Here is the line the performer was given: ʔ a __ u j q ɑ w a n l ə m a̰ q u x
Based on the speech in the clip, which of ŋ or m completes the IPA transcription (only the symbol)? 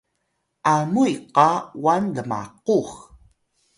m